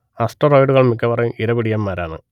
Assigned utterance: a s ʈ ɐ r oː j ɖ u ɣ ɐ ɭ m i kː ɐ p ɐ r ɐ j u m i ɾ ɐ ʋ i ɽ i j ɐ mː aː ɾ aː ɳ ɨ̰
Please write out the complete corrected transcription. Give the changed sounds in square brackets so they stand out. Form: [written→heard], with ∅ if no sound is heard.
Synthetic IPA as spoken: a s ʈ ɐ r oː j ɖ u ɣ ɐ ɭ m i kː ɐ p ɐ r ɐ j u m i ɾ ɐ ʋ i ɽ i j ɐ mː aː ɾ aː ɳ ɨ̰